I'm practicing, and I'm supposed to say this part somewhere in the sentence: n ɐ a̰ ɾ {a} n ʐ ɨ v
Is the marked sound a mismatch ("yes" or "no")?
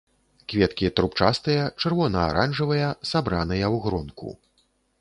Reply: no